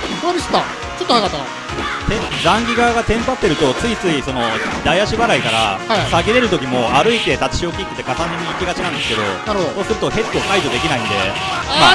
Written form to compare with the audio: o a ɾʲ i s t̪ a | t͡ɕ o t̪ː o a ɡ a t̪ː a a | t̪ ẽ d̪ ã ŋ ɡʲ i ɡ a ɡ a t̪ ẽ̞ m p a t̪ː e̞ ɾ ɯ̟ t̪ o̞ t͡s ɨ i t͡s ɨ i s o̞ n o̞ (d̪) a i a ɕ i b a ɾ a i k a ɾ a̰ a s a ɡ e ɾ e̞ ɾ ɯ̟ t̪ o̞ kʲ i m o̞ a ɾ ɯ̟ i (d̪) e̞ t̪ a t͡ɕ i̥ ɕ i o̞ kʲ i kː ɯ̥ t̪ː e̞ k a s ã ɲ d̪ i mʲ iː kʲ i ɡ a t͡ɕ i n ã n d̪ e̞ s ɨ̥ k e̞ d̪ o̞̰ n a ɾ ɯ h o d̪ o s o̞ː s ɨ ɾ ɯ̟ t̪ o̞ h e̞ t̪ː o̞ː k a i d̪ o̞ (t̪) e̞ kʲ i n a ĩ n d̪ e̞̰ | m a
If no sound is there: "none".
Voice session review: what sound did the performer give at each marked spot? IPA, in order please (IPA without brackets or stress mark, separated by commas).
d̪, t̪, d̪